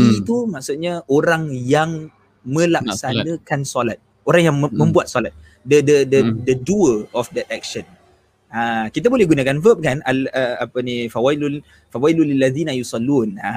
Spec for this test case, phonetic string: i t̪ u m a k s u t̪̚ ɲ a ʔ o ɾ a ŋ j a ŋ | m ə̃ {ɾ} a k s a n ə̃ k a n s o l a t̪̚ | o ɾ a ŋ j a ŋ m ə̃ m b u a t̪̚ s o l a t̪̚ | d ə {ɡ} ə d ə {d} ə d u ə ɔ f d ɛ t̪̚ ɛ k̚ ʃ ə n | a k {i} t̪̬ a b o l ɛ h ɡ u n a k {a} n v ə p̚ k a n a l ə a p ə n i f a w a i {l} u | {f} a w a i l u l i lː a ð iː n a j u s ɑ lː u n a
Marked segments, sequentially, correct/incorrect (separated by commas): incorrect, incorrect, correct, correct, correct, correct, correct